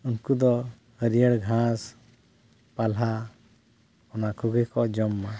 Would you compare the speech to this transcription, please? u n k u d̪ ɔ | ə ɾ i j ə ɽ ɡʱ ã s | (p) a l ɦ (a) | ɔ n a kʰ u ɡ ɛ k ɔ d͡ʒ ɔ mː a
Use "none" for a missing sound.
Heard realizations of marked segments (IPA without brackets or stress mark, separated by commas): p, a